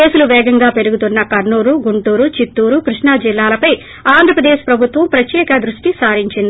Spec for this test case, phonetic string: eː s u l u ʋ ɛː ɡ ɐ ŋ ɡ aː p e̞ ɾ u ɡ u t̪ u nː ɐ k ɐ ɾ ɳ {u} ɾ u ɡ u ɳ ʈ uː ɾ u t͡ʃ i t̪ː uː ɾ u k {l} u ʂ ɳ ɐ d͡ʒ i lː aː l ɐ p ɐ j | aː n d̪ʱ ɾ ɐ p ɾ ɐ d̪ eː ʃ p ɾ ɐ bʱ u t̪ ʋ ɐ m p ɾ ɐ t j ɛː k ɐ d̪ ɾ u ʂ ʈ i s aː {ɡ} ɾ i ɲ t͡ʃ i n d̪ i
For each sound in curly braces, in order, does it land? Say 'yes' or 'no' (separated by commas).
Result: no, no, no